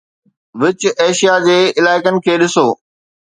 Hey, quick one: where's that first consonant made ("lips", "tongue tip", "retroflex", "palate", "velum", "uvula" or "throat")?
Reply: lips